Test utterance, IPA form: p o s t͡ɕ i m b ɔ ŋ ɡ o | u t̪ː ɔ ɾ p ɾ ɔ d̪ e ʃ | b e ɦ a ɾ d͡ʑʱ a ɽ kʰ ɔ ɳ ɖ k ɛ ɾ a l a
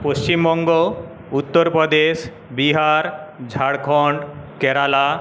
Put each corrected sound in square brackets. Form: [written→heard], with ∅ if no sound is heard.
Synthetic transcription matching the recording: p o s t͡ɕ i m b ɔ ŋ ɡ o | u t̪ː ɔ ɾ p ɾ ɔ d̪ e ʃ | b [e→i] ɦ a ɾ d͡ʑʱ a ɽ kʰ ɔ ɳ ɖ k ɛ ɾ a l a